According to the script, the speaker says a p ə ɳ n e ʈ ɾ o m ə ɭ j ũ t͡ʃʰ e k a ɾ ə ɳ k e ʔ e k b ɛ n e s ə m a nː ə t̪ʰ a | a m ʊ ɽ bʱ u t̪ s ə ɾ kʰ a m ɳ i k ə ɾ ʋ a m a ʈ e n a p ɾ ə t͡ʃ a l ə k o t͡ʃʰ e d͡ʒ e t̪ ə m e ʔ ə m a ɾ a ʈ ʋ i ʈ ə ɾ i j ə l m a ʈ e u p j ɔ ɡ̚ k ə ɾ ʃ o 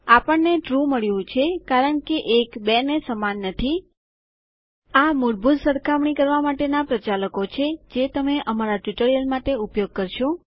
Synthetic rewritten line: a p ə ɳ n e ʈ ɾ u m ə ɭ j ũ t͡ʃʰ e k a ɾ ə ɳ k e ʔ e k b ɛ n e s ə m a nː ə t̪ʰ i | a m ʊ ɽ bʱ u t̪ s ə ɾ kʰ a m ɳ i k ə ɾ ʋ a m a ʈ e n a p ɾ ə t͡ʃ a l ə k o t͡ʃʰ e d͡ʒ e t̪ ə m e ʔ ə m a ɾ a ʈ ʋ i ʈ ə ɾ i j ə l m a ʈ e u p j o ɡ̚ k ə ɾ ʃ o